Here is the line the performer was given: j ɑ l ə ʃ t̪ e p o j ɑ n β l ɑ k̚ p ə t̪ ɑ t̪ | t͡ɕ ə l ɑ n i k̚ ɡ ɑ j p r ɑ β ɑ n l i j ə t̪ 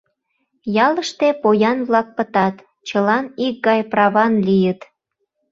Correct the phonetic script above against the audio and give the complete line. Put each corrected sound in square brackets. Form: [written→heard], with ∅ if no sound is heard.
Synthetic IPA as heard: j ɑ l ə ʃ t̪ e p o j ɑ n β l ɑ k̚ p ə t̪ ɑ t̪ | t͡ɕ ə l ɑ n i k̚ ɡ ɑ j p r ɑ β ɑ n l i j ə t̪